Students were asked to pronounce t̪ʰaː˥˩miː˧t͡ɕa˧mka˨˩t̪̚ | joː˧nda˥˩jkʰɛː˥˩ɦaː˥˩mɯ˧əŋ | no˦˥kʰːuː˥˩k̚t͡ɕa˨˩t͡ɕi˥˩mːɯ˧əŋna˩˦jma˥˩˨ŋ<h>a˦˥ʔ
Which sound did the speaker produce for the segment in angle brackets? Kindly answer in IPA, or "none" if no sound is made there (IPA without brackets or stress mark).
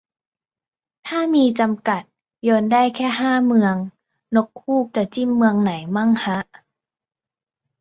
h